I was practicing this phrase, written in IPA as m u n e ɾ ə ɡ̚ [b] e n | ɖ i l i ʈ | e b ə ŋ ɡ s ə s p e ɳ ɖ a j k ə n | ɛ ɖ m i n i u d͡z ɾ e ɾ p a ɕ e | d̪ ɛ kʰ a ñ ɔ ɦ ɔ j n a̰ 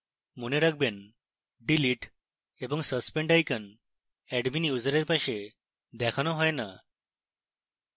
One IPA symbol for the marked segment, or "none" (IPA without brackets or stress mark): b